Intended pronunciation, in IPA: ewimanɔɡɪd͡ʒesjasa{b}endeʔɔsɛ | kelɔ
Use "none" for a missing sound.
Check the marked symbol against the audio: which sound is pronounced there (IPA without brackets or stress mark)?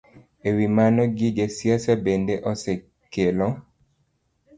b